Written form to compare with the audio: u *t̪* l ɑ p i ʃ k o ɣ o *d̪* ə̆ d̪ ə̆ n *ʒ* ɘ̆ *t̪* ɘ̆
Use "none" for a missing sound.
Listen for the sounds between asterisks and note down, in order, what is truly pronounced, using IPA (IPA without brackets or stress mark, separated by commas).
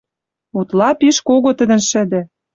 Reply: t̪, t̪, ʃ, d̪